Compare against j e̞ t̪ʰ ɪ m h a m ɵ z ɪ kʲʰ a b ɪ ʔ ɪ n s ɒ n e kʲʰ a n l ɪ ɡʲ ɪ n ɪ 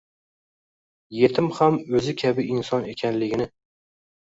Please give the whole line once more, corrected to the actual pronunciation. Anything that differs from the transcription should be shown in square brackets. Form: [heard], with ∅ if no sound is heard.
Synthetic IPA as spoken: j e̞ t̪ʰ ɪ m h a m ɵ z ɪ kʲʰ a b ɪ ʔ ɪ n s ɒ n e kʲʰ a n l ɪ ɡʲ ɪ n ɪ